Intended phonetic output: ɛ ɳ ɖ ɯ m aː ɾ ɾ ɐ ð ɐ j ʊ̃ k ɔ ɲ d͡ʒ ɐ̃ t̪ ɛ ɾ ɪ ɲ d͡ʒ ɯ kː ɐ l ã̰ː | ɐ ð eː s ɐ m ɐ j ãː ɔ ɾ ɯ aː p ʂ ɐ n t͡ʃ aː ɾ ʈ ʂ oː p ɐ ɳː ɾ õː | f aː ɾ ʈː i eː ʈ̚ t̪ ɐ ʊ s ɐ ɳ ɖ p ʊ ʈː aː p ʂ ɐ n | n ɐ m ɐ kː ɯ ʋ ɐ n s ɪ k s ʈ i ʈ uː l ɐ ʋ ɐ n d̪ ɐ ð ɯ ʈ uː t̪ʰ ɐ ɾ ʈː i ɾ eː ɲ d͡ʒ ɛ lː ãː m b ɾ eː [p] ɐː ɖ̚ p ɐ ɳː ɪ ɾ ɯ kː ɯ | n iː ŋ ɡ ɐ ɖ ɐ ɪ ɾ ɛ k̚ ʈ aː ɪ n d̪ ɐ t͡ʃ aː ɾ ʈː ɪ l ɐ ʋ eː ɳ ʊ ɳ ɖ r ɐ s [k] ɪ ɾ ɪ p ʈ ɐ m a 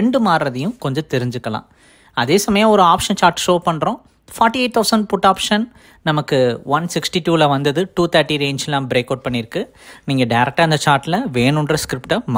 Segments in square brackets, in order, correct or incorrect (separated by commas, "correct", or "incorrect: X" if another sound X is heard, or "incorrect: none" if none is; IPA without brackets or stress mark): incorrect: k, correct